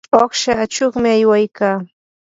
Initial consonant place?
uvular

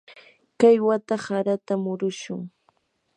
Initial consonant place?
velar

